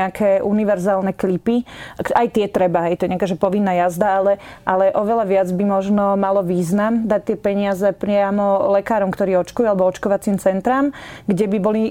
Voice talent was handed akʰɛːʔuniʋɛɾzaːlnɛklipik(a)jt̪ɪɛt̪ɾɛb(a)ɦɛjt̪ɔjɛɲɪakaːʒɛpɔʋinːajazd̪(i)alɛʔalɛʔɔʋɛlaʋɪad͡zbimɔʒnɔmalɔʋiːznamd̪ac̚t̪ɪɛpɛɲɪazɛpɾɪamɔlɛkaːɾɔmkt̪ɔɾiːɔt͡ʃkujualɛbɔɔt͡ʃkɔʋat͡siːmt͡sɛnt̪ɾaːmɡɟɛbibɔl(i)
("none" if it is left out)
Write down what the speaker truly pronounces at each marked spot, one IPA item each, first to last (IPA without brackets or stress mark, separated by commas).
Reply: a, a, a, i